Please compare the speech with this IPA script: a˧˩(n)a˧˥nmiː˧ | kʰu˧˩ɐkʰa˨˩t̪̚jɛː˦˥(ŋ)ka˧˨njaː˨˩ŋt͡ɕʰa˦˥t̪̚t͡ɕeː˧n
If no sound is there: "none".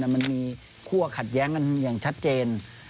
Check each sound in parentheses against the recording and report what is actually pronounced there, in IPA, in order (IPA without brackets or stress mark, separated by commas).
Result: m, ŋ